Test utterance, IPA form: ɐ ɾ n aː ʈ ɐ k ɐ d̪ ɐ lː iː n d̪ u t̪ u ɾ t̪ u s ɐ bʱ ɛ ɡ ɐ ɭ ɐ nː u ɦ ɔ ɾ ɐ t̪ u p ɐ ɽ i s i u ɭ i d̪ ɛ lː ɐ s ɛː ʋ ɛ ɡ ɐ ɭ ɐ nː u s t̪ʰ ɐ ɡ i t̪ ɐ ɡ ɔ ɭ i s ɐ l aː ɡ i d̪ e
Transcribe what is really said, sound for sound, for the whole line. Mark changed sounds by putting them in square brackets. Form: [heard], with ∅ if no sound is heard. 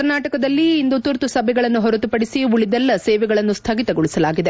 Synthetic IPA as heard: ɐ ɾ n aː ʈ ɐ k ɐ d̪ ɐ lː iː n d̪ u t̪ u ɾ t̪ u s ɐ bʱ ɛ ɡ ɐ ɭ ɐ nː u ɦ ɔ ɾ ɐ t̪ u p ɐ ɽ i s i u ɭ i d̪ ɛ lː ɐ s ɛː ʋ ɛ ɡ ɐ ɭ ɐ nː u s t̪ʰ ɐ ɡ i t̪ ɐ ɡ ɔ ɭ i s ɐ l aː ɡ i d̪ e